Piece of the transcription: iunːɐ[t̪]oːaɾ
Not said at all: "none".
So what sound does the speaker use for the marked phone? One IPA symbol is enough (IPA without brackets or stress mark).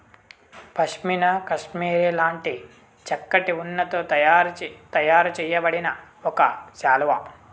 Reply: t̪